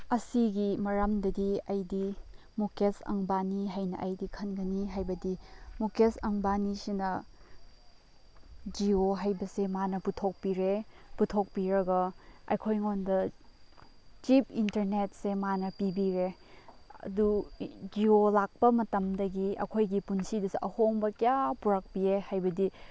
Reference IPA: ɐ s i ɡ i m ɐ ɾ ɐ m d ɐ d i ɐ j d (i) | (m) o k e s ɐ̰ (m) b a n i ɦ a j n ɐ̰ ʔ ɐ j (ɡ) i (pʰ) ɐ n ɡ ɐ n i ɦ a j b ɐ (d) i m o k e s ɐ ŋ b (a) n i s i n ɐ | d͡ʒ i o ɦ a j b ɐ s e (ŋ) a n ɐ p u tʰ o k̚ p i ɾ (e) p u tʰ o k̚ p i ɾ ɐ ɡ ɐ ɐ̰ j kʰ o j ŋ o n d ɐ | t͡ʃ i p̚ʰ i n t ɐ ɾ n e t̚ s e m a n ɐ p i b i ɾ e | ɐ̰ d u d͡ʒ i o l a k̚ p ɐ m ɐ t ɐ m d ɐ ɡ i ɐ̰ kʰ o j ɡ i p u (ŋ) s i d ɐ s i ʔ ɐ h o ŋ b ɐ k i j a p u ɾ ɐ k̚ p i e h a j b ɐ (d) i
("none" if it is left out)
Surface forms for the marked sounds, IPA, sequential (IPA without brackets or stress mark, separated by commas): i, m, ŋ, d, kʰ, d, a, m, e, n, d